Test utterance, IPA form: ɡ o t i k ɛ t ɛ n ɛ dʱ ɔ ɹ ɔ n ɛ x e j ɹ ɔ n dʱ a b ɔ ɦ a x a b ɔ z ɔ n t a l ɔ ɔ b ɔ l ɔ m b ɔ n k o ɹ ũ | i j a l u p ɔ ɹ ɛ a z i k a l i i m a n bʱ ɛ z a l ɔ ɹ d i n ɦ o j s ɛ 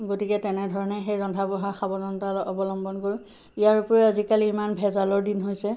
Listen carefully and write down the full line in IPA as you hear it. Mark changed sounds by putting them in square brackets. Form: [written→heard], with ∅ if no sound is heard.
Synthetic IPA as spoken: ɡ o t i k ɛ t ɛ n ɛ dʱ ɔ ɹ ɔ n ɛ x e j ɹ ɔ n dʱ a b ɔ ɦ a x a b ɔ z ɔ n t a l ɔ ɔ b ɔ l ɔ m b ɔ n k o ɹ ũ | i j a [l→ɹ] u p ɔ ɹ ɛ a z i k a l i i m a n bʱ ɛ z a l ɔ ɹ d i n ɦ o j s ɛ